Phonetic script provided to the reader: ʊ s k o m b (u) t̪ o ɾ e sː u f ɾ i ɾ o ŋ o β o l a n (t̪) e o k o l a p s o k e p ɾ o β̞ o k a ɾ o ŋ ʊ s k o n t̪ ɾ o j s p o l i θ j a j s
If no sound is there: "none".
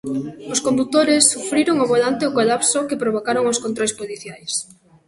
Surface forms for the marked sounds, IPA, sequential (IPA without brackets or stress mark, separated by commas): u, t̪